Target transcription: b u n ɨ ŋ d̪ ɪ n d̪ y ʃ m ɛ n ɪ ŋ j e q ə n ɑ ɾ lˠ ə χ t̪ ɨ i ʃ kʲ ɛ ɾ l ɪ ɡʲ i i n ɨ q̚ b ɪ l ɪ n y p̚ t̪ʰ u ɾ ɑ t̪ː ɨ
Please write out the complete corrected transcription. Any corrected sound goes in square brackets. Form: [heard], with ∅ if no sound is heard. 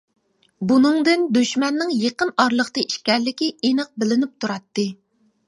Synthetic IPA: b u n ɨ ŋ d̪ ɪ n d̪ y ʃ m ɛ [nː] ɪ ŋ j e q ə n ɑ ɾ lˠ ə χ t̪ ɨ i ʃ kʲ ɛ ɾ l ɪ [kʲ] i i n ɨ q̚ b ɪ l ɪ n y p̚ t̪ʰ u ɾ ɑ t̪ː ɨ